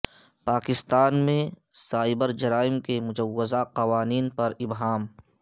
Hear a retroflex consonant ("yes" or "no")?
no